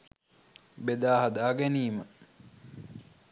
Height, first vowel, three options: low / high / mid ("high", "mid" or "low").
mid